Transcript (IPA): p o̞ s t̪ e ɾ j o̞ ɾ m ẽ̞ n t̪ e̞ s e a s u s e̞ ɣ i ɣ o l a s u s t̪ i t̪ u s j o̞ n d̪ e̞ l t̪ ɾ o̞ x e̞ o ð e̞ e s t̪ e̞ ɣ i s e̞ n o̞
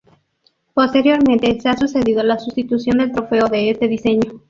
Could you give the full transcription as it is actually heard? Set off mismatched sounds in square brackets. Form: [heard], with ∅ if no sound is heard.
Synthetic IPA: p o̞ s t̪ e ɾ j o̞ ɾ m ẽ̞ n t̪ e̞ s e a s u s e̞ [ð] i [ð] o l a s u s t̪ i t̪ u s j o̞ n d̪ e̞ l t̪ ɾ o̞ [f] e̞ o ð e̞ e s t̪ e̞ [ð] i s e̞ [ɲ] o̞